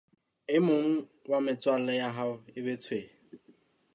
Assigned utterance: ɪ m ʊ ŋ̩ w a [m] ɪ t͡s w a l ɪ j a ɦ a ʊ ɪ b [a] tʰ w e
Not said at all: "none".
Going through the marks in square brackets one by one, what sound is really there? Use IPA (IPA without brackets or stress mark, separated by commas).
m, e